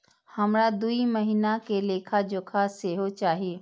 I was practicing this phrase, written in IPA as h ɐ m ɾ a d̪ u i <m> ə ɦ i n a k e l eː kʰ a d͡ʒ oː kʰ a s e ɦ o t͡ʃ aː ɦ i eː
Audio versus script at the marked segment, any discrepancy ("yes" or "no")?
no